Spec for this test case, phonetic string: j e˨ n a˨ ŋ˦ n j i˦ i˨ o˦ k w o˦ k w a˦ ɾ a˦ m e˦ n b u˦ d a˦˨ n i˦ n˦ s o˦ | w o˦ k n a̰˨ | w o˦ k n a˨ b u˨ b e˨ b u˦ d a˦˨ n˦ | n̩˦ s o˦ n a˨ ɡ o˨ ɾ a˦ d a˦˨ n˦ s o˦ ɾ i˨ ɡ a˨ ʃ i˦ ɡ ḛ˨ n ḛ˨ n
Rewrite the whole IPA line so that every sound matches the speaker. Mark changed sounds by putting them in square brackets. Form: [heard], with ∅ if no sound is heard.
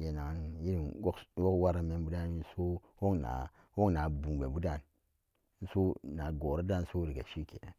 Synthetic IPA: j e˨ n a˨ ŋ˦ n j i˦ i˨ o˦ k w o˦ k w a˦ ɾ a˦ m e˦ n b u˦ d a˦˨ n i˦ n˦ s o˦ | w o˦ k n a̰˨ | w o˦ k n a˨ b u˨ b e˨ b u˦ d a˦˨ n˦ | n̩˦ s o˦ n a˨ ɡ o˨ ɾ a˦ d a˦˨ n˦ s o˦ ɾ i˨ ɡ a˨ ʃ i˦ [k] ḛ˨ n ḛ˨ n